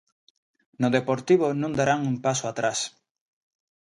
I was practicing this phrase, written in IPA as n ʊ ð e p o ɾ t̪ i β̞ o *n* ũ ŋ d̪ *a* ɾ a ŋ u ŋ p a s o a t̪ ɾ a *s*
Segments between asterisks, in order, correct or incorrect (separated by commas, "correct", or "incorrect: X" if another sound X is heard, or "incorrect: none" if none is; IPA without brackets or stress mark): correct, correct, correct